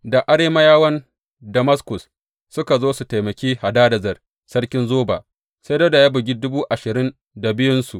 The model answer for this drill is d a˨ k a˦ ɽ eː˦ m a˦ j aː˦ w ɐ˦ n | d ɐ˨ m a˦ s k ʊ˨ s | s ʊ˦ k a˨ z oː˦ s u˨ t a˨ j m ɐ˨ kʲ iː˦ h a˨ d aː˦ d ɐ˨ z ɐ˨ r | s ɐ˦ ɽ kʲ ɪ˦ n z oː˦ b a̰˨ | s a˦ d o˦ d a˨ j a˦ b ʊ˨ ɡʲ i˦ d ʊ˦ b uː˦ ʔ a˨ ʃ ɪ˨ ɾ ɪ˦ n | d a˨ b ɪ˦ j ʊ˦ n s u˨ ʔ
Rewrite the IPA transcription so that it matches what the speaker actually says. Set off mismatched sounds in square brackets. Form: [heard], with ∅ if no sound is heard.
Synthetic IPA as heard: d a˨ [ʔ] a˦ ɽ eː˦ m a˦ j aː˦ w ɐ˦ n | d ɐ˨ m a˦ s k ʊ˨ s | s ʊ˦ k a˨ z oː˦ s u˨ t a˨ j m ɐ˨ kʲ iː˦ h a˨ d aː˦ d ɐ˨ z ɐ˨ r | s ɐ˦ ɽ kʲ ɪ˦ n z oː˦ b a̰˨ | s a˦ d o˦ d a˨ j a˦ b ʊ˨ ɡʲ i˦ d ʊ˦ b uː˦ ʔ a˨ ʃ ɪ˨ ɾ ɪ˦ n | d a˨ b ɪ˦ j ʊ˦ n s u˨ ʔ

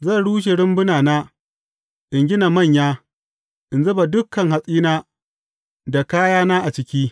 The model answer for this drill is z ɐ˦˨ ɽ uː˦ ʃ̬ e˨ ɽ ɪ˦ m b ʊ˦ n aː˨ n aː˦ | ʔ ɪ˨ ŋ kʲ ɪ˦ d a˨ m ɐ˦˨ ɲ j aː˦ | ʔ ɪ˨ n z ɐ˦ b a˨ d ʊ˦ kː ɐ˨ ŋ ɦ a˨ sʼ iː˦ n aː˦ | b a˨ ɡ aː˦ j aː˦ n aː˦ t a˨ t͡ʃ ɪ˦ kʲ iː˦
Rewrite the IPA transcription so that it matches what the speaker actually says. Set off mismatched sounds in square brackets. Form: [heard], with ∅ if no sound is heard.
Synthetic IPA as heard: z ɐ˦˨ ɽ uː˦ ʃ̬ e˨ ɽ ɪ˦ m b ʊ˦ n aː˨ n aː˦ | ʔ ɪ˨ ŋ [ɡʲ] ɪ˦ [n] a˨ m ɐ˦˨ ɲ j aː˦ | ʔ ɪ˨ n z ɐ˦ b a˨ d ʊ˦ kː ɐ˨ ŋ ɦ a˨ sʼ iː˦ n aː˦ | [d] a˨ [k] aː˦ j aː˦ n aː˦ [ʔ] a˨ t͡ʃ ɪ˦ kʲ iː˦

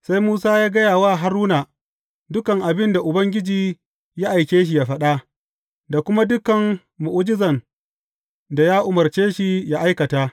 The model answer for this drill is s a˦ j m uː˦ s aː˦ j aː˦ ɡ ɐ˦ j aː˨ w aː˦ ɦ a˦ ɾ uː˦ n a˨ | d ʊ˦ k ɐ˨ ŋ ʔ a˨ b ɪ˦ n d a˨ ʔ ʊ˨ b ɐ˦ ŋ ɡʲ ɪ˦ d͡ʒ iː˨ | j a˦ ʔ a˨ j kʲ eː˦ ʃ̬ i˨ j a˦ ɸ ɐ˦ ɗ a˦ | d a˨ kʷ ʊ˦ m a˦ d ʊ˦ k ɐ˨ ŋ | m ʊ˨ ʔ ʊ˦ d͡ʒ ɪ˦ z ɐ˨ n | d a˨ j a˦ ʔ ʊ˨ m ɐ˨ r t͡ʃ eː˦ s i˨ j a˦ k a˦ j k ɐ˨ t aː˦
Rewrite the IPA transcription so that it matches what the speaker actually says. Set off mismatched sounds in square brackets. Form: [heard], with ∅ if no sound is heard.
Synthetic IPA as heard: s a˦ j m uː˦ s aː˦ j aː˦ ɡ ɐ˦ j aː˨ w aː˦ ɦ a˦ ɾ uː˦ n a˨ | d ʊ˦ k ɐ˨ ŋ ʔ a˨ b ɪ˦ n d a˨ ʔ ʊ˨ b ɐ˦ ŋ ɡʲ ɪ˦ d͡ʒ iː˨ | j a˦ ʔ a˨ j kʲ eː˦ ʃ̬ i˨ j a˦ ɸ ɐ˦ ɗ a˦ | d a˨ kʷ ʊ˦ m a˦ d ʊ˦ k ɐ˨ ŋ | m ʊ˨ ʔ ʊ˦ d͡ʒ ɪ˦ z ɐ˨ n | d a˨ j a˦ ʔ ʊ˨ m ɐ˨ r t͡ʃ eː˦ [ʃ] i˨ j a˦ [ʔ] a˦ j k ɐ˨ t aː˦

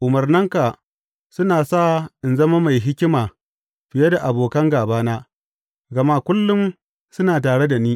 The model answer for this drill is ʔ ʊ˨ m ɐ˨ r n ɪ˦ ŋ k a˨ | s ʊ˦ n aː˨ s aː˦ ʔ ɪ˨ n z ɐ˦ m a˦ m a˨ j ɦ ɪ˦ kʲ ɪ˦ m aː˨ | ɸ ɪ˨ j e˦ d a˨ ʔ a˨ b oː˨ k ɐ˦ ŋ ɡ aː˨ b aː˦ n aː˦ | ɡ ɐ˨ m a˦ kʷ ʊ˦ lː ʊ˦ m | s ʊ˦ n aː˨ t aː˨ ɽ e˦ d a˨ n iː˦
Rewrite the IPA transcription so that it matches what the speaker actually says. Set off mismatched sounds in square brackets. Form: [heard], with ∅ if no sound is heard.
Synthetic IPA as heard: ʔ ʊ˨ m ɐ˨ r n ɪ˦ ŋ k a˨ | s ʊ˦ n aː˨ s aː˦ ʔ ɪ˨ n z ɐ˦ m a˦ m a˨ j ɦ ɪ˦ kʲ ɪ˦ m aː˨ | ɸ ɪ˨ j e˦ d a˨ ʔ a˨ b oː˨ k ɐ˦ ŋ ɡ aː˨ b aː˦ n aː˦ | ɡ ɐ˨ m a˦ kʷ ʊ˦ lː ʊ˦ m | s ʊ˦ n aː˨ t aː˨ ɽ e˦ d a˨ n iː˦

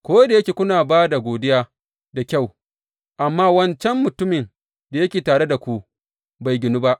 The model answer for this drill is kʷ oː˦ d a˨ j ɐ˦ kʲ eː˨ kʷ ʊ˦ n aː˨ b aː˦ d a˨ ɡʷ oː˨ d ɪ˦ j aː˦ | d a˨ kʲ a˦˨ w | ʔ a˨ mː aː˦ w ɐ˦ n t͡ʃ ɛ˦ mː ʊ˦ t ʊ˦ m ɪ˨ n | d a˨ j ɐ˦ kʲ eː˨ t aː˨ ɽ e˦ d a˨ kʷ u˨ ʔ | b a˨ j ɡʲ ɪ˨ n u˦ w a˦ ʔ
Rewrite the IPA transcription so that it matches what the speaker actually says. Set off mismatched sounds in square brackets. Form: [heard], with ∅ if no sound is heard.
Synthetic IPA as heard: kʷ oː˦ d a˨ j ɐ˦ kʲ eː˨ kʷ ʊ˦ n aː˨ b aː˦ d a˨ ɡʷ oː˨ d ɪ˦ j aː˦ | d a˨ kʲ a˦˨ w | ʔ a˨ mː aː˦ w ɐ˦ n t͡ʃ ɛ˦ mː [ʊ˨] t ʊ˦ m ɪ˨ n | d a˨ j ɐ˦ kʲ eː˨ t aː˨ ɽ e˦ d a˨ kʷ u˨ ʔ | b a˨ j ɡʲ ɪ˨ n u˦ [b] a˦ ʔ

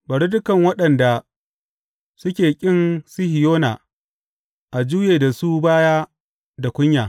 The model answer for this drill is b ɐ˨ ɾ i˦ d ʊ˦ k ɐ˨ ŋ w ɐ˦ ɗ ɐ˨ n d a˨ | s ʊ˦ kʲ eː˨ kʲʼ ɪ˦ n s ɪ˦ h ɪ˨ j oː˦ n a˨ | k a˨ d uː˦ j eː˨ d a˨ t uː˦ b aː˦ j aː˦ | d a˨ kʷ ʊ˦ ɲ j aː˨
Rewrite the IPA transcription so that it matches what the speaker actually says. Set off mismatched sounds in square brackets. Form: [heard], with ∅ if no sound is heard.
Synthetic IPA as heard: b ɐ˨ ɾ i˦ d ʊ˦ k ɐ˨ ŋ w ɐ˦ ɗ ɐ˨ n d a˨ | s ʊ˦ kʲ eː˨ kʲʼ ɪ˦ n s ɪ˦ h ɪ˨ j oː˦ n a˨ | [ʔ] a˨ [d͡ʒ] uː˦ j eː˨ d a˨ [s] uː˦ b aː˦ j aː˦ | d a˨ kʷ ʊ˦ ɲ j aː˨

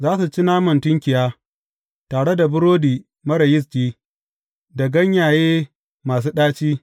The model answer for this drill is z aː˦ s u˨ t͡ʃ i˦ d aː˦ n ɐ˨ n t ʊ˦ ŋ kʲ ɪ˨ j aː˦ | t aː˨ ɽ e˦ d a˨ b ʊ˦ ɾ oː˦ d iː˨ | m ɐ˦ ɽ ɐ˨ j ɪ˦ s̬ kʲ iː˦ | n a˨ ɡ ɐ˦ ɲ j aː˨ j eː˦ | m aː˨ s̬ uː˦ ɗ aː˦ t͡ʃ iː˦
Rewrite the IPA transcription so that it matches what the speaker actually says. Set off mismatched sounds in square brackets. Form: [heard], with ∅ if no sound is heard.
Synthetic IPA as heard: z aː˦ s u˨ t͡ʃ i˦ [n] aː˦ [m] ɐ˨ n t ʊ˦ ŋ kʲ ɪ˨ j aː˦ | t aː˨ ɽ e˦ d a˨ b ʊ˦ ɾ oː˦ d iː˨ | m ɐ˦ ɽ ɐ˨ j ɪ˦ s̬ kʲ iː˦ | [d] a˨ ɡ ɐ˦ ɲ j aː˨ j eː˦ | m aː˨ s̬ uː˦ ɗ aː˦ t͡ʃ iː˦

